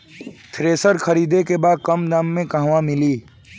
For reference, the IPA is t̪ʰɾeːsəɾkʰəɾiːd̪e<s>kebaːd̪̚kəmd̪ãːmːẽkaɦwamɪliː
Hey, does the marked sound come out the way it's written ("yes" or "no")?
no